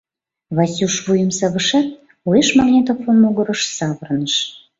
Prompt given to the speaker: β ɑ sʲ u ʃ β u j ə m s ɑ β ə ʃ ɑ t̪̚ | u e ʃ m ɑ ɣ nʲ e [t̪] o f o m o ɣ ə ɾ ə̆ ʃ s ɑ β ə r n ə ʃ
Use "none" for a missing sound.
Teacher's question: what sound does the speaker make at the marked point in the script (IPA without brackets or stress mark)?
t̪